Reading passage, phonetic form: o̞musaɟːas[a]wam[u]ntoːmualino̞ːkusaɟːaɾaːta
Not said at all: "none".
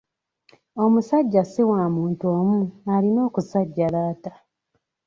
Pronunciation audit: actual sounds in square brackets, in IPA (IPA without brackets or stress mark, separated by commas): i, uː